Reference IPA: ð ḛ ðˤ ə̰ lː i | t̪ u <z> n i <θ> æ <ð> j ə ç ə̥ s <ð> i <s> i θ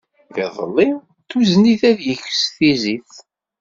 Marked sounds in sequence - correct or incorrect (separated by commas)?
correct, correct, correct, incorrect, incorrect